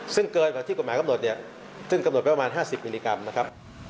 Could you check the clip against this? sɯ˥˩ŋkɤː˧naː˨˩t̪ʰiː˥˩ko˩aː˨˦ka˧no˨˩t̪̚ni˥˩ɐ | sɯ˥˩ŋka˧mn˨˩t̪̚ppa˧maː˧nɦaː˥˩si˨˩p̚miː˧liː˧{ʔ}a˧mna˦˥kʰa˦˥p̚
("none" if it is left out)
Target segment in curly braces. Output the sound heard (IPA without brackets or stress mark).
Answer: k